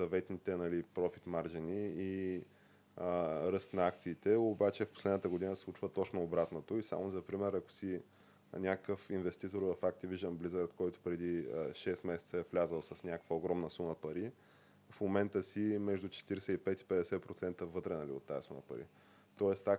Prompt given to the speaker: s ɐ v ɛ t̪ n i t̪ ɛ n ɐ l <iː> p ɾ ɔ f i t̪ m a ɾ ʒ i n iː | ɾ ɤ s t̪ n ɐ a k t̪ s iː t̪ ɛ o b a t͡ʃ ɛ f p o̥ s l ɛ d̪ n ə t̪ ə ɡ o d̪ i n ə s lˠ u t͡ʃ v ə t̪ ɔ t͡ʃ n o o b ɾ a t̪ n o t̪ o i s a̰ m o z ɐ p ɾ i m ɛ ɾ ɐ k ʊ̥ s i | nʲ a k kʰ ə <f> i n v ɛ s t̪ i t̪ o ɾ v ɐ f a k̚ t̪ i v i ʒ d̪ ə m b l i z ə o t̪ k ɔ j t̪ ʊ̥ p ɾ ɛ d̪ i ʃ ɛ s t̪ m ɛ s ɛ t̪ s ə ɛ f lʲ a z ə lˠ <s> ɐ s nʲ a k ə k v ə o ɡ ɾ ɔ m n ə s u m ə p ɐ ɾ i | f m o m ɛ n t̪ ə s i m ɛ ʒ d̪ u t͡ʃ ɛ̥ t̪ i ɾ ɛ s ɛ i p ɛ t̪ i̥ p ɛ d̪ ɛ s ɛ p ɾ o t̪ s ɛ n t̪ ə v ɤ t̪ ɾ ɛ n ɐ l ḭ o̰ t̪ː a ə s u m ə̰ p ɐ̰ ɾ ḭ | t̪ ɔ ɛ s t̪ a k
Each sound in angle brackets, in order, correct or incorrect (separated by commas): incorrect, correct, correct